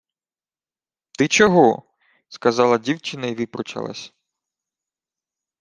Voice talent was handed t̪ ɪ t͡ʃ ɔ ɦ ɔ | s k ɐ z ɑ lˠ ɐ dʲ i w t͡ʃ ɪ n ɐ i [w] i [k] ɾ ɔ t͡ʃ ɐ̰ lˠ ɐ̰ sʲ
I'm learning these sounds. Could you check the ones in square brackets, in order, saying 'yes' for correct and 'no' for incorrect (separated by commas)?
no, no